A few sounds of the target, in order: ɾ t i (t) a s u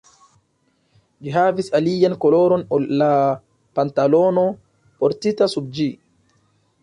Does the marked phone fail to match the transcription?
no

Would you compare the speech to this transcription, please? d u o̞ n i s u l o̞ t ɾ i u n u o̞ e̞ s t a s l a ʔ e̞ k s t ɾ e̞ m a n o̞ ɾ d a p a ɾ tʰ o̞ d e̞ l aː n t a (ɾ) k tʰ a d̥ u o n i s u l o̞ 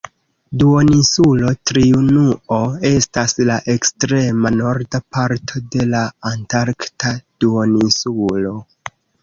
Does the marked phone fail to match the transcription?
no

